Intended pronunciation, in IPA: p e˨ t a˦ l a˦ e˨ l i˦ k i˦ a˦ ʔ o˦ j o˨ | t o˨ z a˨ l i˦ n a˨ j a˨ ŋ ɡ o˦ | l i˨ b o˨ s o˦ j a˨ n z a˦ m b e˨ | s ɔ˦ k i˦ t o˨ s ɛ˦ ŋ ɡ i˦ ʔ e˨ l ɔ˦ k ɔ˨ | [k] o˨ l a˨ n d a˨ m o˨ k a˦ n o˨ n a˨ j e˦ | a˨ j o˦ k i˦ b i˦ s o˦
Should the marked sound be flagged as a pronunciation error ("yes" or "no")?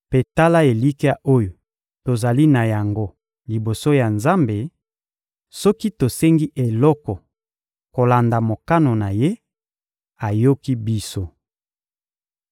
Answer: no